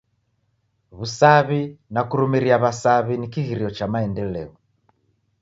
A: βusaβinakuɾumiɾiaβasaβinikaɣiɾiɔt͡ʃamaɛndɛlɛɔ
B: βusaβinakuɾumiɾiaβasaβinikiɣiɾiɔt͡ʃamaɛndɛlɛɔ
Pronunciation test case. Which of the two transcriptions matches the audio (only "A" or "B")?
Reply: B